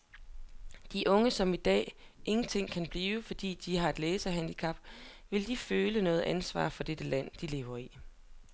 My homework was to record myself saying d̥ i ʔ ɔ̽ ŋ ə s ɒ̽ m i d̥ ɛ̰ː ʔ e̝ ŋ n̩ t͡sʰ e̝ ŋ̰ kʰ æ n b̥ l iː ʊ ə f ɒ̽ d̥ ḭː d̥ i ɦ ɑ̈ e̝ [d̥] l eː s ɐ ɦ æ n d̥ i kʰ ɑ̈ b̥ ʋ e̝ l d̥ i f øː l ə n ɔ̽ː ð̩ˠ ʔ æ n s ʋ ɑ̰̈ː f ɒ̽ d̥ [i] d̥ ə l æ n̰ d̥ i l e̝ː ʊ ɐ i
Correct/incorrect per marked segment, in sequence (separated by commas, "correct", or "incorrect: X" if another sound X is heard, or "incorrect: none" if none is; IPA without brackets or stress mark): correct, incorrect: e